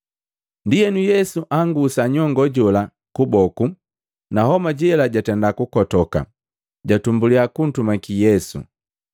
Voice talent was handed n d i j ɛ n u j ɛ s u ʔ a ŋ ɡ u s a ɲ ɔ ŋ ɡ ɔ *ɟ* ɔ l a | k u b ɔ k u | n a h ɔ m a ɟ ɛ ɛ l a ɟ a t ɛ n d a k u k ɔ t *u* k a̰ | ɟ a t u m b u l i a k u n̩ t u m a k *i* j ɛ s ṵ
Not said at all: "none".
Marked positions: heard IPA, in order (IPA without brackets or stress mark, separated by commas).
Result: ɟ, ɔ, i